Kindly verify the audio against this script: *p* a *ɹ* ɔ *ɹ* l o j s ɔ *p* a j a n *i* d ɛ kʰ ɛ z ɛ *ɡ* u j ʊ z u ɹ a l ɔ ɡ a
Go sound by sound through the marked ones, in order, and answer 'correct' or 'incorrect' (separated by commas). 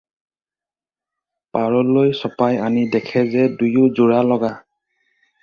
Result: correct, correct, incorrect, correct, correct, incorrect